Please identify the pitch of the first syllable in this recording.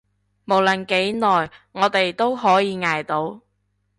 low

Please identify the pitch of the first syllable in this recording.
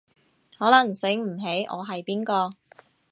rising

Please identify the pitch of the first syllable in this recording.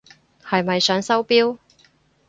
low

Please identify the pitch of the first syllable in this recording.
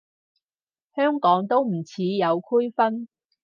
high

